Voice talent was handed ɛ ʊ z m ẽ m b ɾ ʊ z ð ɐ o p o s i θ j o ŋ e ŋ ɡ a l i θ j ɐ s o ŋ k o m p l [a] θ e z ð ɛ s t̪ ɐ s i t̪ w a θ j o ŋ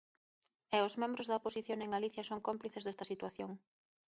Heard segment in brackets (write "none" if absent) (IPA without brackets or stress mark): i